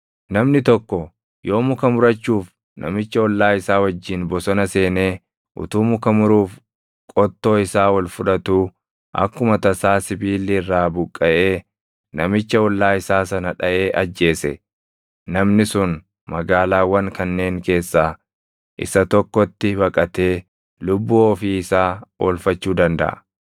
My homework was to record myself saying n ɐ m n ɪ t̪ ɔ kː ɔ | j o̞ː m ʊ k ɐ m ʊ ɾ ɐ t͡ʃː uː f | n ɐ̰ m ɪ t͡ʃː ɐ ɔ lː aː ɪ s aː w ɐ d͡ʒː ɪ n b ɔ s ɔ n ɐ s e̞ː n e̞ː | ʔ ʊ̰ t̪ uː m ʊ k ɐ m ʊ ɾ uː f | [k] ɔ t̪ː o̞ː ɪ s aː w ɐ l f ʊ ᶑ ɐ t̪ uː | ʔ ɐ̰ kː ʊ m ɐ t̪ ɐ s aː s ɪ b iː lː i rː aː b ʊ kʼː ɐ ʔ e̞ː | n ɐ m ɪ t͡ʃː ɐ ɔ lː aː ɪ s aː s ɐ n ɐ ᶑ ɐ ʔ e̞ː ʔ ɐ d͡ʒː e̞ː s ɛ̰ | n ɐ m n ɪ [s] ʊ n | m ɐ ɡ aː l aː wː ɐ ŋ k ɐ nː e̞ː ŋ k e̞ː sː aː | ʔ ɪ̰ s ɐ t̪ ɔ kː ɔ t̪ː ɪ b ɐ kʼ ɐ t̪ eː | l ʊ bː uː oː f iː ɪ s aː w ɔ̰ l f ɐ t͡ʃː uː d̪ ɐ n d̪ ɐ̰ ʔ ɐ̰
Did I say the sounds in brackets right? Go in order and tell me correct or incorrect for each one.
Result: incorrect: kʼ, correct

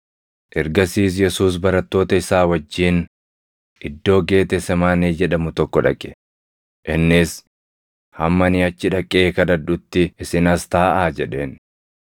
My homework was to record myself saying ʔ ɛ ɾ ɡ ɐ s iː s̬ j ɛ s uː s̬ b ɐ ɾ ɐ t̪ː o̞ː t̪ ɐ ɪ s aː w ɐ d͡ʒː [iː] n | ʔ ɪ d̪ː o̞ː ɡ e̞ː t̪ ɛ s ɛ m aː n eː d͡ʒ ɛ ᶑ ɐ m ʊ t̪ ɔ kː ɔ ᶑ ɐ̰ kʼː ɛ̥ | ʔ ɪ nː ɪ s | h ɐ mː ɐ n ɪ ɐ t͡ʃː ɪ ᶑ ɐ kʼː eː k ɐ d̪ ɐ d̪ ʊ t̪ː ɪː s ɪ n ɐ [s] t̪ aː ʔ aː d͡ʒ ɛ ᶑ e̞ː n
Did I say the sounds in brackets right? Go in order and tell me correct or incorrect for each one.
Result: correct, correct

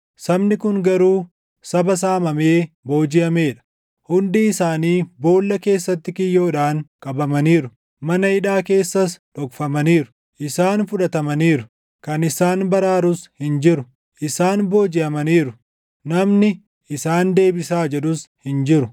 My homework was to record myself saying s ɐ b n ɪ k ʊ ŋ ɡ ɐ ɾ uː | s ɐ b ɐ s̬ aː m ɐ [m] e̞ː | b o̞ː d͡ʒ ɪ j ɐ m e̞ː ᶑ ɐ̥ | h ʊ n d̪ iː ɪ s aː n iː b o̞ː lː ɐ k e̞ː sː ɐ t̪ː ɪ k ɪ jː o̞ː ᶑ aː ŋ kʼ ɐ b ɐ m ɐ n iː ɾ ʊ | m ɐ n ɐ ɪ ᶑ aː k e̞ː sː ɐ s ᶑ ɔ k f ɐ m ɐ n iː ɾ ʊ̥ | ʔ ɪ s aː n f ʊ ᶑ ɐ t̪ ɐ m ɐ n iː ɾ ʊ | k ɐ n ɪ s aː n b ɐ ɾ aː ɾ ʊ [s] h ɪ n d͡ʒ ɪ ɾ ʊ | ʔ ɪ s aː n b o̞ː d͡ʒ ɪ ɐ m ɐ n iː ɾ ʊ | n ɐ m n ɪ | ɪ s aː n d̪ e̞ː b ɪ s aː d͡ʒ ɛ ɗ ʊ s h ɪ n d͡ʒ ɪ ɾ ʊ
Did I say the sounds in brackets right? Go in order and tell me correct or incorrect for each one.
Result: correct, correct

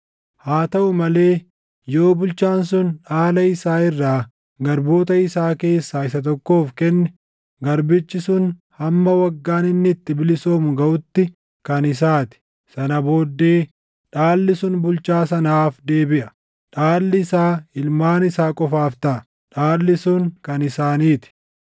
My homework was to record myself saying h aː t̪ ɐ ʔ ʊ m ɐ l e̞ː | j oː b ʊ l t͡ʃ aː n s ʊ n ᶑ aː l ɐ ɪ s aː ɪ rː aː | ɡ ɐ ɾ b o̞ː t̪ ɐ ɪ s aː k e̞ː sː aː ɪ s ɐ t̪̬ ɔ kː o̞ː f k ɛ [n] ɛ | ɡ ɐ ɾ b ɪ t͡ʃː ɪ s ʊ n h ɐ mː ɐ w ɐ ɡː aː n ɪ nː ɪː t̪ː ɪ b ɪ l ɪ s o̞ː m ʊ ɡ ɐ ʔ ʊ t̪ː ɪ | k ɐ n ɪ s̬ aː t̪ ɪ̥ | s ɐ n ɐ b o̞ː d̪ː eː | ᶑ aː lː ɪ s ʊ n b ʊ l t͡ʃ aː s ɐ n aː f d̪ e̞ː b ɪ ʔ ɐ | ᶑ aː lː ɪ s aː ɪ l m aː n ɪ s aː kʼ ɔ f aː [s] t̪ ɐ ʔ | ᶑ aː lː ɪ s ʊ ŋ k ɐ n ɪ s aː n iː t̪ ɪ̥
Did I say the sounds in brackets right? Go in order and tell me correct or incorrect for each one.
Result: incorrect: nː, incorrect: f

